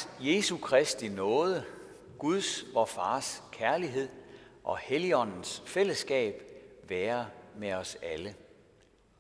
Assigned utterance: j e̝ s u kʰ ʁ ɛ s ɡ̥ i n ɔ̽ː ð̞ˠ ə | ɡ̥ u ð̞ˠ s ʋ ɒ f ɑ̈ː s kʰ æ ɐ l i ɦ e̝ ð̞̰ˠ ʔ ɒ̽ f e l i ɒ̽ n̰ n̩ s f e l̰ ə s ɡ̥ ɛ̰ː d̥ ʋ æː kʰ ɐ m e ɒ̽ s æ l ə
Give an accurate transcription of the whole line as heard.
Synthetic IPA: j e̝ s u kʰ ʁ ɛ s d̥ i n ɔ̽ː ð̞ˠ ə | ɡ̥ u ð̞ˠ s ʋ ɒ f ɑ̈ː s kʰ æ ɐ l i ɦ e̝ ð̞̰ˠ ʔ ɒ̽ h e l i ɒ̽ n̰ n̩ s f e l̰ ə s ɡ̥ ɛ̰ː b̥ ʋ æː ɐ m e ɒ̽ s æ l ə